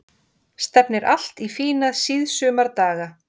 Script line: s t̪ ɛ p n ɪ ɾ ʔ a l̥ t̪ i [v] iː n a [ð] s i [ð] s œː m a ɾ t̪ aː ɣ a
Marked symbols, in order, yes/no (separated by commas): no, yes, yes